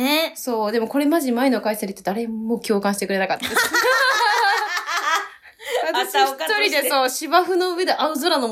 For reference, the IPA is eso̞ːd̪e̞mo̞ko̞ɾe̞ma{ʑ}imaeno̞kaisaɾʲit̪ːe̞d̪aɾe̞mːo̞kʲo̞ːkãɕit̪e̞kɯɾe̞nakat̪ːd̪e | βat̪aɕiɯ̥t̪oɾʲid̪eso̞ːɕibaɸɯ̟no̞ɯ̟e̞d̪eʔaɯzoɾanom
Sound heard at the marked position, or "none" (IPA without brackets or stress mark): ʑ